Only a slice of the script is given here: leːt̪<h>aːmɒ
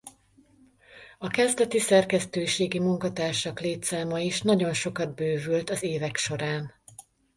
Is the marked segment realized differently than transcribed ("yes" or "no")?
yes